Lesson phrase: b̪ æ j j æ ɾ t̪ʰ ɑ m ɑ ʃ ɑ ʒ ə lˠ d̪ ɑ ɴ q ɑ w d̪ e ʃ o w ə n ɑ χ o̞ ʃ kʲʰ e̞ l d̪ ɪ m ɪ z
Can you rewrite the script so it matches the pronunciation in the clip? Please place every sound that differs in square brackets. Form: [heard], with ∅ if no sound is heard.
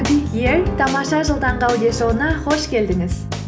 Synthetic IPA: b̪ [i] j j [e] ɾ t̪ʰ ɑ m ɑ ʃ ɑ ʒ ə lˠ d̪ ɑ ɴ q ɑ w d̪ e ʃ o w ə n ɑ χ o̞ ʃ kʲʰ e̞ l d̪ ɪ [ŋ] ɪ z